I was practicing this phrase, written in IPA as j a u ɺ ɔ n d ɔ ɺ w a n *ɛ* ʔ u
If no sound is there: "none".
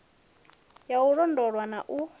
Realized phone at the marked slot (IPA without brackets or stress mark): a